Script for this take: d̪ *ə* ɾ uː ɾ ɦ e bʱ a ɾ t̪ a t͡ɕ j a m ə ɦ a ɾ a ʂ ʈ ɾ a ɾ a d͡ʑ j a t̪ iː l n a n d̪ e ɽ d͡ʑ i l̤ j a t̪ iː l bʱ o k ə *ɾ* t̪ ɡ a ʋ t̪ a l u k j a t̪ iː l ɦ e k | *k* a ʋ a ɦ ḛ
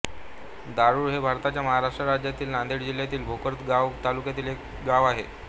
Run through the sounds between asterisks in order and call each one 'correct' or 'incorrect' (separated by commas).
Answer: incorrect, correct, incorrect